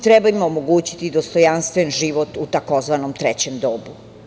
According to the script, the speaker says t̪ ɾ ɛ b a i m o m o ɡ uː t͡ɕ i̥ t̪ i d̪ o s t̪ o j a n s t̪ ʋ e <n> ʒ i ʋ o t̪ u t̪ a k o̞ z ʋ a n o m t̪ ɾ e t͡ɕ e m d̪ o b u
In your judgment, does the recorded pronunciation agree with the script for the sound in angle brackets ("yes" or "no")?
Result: yes